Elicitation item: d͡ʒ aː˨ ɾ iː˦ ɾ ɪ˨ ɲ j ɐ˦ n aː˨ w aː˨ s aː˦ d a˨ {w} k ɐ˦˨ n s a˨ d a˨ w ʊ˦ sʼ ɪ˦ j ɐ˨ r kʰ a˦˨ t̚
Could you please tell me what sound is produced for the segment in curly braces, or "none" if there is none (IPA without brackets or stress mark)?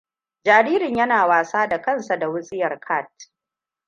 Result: none